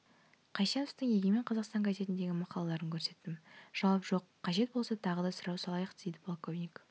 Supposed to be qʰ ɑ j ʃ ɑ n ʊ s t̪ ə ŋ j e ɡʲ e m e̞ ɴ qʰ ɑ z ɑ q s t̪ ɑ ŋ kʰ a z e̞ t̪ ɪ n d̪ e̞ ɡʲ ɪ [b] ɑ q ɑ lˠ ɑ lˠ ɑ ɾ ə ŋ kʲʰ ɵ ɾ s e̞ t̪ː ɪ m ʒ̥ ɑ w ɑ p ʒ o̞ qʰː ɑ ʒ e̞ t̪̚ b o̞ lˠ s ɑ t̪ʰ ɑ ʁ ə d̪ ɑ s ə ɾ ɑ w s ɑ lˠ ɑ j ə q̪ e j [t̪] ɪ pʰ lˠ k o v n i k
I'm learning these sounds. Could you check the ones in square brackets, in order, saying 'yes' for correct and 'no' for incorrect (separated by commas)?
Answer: no, no